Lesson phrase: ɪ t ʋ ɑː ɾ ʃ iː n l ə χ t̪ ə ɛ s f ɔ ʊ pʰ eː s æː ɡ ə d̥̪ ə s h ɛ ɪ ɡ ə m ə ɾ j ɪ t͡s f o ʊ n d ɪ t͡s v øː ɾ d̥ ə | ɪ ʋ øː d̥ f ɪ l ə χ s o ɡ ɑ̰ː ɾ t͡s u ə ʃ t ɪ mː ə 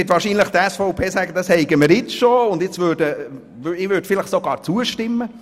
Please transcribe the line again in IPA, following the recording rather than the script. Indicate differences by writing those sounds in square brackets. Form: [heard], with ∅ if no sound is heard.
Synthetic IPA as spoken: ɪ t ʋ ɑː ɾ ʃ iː n l ə χ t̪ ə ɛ s f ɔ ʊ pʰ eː s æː ɡ ə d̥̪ [ɑ] s h ɛ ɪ ɡ ə m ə ɾ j ɪ t͡s [ʃ] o ʊ n d ɪ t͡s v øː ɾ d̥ ə | ɪ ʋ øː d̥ f ɪ l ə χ s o ɡ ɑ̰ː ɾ t͡s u ə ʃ t ɪ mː ə